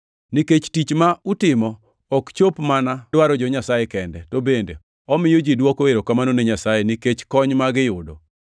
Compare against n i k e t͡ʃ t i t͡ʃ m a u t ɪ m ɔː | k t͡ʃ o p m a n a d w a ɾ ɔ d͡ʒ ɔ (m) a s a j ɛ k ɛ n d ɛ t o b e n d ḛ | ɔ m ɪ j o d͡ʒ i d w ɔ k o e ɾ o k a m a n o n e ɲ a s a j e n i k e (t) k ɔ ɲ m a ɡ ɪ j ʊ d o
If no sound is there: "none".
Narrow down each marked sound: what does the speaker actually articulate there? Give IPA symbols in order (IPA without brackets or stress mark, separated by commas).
ɲ, t͡ʃ